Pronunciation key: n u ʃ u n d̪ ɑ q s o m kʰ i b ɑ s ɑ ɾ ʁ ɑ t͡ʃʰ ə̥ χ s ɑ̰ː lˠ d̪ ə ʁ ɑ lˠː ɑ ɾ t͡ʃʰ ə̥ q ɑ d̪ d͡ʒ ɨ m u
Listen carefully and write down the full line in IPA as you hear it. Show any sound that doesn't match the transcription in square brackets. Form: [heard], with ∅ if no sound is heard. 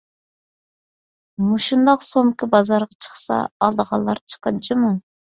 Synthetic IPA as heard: [m] u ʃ u n d̪ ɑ q s o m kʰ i b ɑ [z] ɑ ɾ ʁ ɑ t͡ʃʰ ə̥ χ s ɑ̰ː lˠ d̪ ə ʁ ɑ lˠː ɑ ɾ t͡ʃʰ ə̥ q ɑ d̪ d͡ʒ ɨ m u